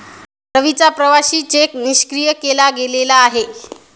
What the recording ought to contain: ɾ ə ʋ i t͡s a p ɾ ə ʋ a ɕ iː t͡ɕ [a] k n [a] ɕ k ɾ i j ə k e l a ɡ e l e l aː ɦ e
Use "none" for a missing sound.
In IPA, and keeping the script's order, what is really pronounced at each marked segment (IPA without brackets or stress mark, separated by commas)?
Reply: e, i